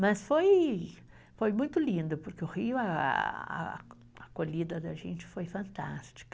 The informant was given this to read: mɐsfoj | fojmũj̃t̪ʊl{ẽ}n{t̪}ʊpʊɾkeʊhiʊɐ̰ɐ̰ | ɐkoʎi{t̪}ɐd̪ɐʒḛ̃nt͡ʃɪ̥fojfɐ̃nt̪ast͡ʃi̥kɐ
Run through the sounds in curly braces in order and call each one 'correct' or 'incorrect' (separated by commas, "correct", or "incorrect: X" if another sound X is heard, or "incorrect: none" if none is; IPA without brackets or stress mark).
incorrect: ĩ, incorrect: d̪, incorrect: d̪